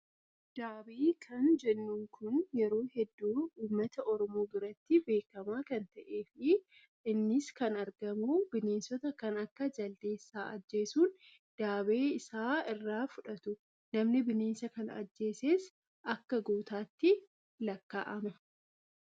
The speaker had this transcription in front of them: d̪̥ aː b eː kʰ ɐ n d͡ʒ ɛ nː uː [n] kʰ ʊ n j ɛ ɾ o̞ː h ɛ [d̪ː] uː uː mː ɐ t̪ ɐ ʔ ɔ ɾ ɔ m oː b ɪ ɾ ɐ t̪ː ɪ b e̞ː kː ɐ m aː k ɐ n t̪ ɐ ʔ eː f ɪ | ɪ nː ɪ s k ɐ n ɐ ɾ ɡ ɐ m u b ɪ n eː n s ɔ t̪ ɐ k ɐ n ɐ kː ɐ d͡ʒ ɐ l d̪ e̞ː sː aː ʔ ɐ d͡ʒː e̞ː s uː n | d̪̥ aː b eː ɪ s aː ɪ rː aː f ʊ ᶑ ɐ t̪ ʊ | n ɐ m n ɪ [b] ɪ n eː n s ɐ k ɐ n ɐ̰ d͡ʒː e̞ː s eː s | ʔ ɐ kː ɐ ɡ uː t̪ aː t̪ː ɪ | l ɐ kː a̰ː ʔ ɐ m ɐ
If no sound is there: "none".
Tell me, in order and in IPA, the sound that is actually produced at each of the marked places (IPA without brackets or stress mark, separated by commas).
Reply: ŋ, d̪ː, b